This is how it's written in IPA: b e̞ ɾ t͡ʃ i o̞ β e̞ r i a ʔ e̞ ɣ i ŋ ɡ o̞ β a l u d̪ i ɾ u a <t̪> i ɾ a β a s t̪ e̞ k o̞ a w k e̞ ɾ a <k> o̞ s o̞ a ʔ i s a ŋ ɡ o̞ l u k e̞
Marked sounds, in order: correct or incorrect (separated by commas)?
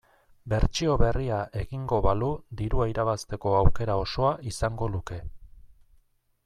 incorrect, incorrect